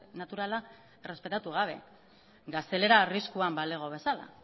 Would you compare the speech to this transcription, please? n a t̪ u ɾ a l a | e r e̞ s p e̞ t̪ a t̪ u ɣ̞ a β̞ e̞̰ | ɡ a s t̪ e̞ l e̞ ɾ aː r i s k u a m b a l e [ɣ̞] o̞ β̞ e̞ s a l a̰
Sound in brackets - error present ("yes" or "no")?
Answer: no